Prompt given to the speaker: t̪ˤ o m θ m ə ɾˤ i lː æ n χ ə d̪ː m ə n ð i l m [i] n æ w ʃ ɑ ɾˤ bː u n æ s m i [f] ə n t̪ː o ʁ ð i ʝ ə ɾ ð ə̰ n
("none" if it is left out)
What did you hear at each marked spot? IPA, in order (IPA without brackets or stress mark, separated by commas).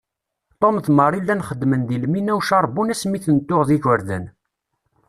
i, θ